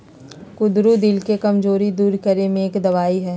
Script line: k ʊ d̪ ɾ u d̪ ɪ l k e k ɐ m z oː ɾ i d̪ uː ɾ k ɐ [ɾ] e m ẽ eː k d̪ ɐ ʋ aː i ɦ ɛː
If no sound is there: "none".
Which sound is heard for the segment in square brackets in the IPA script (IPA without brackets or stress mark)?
ɾ